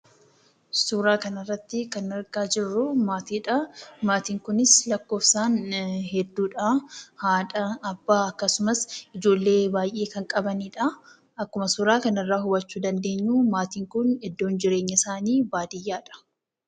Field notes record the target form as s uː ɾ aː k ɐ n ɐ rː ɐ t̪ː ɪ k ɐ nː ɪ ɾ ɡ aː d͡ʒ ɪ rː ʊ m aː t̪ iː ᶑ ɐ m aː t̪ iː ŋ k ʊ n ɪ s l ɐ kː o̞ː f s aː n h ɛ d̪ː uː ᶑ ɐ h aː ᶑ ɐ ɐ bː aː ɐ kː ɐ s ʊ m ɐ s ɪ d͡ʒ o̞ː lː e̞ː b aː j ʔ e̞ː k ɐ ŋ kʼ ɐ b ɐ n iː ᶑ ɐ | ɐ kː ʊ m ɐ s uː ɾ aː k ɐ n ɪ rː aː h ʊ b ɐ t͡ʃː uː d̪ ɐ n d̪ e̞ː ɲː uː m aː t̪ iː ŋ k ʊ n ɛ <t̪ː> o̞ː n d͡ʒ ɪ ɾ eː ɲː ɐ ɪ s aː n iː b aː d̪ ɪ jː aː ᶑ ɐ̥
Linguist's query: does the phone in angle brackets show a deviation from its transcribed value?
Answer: yes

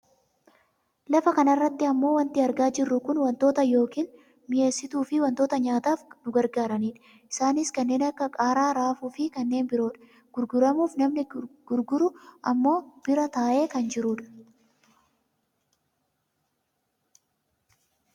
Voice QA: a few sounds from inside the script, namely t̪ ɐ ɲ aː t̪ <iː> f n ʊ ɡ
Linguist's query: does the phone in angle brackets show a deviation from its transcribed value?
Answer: yes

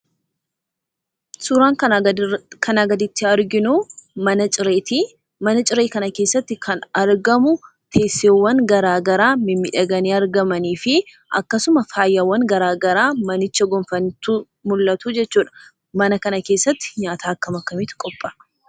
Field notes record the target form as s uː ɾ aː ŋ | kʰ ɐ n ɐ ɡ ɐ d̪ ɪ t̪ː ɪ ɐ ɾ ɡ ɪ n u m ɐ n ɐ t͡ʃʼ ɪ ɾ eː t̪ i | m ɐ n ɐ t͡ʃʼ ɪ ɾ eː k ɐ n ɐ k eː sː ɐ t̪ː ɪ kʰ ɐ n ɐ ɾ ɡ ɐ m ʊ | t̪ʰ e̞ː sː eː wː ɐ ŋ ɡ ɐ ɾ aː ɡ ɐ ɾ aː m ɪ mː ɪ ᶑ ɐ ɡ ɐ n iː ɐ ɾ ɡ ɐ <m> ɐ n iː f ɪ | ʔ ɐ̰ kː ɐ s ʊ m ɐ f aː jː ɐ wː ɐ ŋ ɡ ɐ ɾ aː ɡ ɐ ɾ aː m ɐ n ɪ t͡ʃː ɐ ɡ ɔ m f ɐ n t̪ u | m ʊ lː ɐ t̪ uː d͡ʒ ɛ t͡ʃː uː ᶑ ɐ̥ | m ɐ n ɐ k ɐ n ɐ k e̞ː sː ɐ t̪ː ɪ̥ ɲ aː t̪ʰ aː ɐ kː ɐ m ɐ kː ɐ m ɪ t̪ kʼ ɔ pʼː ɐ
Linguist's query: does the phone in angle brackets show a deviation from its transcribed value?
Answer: no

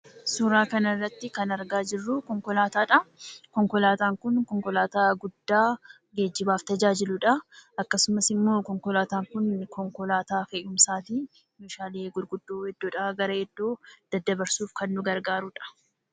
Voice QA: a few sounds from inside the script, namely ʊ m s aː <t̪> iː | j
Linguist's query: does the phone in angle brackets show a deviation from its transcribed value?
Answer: no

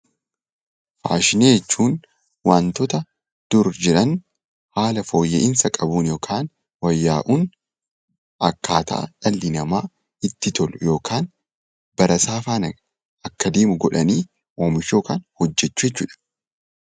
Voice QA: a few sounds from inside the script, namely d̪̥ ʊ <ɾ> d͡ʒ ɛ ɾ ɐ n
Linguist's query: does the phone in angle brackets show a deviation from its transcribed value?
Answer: no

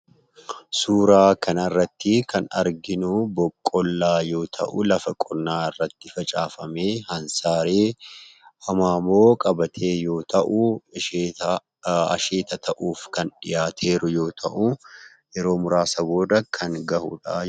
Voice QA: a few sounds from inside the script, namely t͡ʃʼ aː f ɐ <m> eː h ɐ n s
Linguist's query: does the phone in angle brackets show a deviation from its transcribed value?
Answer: no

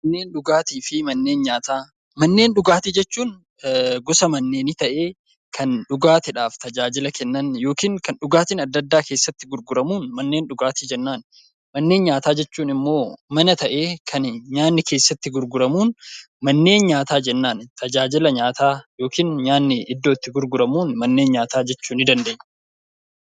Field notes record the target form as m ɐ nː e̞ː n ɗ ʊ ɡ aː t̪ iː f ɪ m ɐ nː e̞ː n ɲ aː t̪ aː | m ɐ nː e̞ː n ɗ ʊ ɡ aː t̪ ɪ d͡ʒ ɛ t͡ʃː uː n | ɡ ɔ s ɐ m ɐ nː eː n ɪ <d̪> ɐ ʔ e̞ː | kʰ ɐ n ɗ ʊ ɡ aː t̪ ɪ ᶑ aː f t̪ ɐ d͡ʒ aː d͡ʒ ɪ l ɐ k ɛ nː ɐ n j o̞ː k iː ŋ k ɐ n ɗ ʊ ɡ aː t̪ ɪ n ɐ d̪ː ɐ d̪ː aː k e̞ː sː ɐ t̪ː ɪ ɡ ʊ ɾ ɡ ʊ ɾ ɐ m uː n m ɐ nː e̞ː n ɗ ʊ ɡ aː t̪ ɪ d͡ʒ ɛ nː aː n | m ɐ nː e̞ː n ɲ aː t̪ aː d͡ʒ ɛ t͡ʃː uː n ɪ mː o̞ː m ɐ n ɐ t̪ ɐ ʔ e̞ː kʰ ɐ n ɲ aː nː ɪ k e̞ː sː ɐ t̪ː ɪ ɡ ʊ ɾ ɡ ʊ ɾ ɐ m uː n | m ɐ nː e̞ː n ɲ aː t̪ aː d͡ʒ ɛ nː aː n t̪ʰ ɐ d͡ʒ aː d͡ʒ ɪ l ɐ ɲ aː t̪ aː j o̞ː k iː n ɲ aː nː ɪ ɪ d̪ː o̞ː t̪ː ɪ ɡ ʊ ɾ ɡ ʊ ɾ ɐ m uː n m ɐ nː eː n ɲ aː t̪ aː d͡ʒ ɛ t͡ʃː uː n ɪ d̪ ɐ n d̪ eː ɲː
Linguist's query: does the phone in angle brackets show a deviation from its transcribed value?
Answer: yes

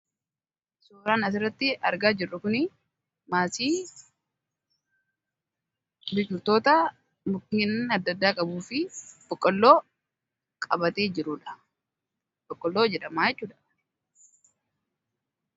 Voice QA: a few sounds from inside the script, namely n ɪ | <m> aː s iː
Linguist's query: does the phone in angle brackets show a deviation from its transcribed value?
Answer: no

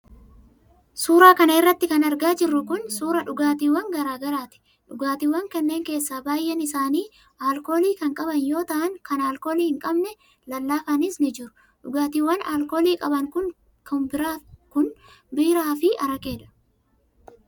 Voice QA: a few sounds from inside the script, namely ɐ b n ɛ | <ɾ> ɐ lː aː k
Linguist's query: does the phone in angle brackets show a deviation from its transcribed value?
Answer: yes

